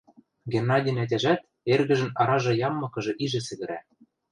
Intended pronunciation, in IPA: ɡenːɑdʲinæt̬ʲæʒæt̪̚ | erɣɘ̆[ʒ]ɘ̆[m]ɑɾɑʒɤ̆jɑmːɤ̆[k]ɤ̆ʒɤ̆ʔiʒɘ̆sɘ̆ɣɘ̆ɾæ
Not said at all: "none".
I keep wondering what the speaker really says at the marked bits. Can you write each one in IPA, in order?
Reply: ʒ, n, k

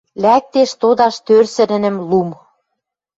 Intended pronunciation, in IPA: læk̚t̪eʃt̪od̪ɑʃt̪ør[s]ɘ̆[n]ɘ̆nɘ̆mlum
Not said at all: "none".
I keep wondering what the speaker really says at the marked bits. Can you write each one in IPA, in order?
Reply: s, n

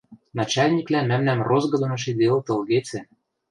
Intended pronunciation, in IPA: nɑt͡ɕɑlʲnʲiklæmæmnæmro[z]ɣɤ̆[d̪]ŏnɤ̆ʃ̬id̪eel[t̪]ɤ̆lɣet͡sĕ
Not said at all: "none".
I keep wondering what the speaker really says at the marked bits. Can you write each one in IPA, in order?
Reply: z, d̪, t̪

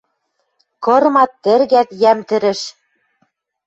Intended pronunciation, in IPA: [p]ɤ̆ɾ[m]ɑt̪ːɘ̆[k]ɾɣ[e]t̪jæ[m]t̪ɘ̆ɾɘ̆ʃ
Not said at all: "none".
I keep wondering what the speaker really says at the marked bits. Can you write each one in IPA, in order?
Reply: k, m, none, æ, m

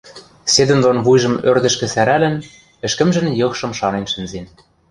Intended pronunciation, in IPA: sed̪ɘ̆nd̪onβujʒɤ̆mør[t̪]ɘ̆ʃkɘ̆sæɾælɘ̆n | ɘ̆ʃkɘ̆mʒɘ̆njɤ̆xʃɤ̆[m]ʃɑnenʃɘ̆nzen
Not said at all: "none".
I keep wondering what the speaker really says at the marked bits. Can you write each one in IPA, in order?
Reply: d̪, m

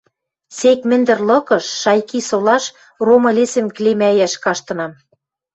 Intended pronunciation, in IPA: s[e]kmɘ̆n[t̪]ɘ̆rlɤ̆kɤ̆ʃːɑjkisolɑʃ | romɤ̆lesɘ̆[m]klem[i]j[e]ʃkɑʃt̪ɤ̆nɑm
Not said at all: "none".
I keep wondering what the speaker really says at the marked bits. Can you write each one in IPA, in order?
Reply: e, d̪, m, æ, æ

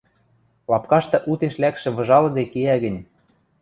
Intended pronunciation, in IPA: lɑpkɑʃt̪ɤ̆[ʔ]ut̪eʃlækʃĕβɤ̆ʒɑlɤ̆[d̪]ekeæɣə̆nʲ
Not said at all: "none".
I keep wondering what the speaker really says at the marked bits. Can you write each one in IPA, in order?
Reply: ʔ, d̪

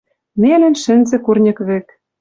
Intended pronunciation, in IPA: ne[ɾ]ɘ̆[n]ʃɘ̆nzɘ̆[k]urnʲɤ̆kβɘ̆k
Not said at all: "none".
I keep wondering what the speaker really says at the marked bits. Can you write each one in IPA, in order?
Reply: l, n, k

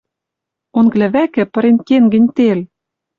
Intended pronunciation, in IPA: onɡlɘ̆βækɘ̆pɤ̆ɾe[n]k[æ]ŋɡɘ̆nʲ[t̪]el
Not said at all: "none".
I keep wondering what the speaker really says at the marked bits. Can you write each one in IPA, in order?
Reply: n, e, t̪

